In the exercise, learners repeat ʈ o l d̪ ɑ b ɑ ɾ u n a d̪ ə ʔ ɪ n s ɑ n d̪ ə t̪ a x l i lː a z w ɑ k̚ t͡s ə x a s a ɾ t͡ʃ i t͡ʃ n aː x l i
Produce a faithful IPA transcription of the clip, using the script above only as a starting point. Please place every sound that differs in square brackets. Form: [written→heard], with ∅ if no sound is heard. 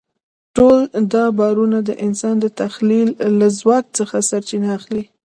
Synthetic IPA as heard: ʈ o l d̪ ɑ b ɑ ɾ u n a d̪ ə ʔ ɪ n s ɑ n d̪ ə t̪ a x l i lː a z w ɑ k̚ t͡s ə x a s a ɾ t͡ʃ i [t͡ʃ→∅] n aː x l i